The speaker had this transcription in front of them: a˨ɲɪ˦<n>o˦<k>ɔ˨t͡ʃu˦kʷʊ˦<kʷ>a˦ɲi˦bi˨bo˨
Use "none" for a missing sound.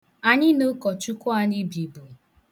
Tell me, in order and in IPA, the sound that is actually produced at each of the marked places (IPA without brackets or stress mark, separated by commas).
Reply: n, k, none